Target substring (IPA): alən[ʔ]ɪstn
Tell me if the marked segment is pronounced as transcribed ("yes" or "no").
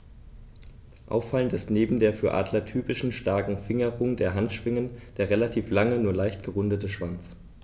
no